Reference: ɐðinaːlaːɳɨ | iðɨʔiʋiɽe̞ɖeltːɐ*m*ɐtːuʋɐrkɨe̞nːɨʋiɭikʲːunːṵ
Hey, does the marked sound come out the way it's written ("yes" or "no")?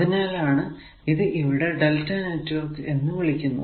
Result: no